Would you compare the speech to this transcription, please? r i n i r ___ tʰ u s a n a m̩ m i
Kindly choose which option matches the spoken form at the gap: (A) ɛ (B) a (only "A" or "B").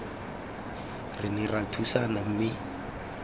B